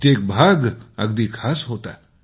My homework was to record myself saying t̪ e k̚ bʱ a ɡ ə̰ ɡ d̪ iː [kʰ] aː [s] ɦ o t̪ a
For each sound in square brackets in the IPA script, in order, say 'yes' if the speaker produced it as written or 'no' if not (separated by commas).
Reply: yes, yes